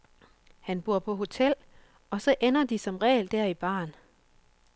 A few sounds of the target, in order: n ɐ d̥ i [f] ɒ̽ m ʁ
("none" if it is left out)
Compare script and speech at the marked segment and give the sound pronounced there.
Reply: s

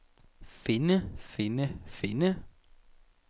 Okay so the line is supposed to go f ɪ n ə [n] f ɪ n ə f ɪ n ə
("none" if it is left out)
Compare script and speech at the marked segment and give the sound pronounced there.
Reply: none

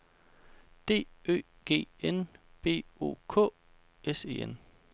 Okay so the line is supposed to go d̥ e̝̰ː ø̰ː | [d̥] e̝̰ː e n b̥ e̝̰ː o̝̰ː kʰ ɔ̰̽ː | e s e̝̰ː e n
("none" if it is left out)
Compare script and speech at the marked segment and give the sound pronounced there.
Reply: ɡ̥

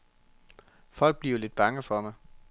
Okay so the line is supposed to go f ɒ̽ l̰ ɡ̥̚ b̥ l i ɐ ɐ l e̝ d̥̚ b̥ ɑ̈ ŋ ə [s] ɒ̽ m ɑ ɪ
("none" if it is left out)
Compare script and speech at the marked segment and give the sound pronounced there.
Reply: f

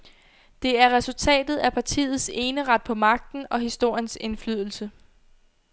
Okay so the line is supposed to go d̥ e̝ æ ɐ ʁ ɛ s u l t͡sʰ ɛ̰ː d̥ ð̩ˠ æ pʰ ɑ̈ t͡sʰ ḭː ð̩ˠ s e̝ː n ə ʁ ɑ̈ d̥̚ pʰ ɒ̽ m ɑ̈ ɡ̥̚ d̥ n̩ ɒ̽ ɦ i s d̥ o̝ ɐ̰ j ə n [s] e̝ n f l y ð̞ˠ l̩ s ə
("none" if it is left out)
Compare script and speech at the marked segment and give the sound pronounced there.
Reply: s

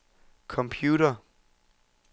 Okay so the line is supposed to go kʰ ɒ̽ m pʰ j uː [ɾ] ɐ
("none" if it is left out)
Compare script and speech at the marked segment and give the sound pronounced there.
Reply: ɾ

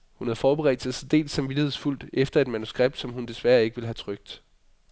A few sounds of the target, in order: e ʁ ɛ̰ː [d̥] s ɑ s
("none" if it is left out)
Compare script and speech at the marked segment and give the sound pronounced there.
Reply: d̥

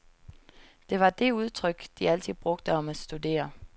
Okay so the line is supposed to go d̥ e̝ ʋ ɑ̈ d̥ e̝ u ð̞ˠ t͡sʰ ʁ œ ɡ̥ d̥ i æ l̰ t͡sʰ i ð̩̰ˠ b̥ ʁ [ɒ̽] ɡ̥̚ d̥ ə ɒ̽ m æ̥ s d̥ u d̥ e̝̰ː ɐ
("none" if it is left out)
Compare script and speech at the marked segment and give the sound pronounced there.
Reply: ɔ̽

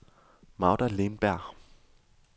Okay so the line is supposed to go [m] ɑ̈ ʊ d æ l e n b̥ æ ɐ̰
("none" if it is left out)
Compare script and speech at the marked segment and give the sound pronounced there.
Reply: m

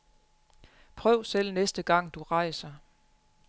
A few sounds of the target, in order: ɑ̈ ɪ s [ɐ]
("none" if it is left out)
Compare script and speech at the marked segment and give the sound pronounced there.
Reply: ɐ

